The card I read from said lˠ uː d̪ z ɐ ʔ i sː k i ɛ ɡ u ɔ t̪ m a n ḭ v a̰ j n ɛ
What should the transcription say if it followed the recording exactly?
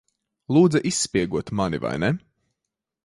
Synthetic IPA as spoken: lˠ uː d̪ z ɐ ʔ i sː p i ɛ ɡ u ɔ t̪ m a n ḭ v a̰ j n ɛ